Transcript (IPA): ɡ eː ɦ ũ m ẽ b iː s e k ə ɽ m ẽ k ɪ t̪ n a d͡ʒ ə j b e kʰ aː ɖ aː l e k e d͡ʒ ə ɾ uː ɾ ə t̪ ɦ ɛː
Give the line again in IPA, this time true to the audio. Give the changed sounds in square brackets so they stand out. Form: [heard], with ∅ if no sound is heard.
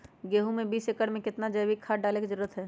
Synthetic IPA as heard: ɡ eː ɦ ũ m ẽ b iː s e k ə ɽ m ẽ k ɪ t̪ n a d͡ʒ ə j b [i] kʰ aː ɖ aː l e k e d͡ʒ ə ɾ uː ɾ ə t̪ ɦ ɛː